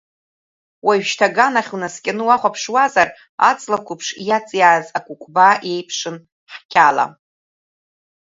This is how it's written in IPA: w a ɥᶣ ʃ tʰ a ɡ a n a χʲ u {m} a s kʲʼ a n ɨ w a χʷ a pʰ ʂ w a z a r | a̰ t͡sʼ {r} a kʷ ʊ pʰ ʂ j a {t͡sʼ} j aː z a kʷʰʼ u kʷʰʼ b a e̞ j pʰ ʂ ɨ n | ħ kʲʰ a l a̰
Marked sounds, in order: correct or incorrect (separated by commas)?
incorrect, incorrect, correct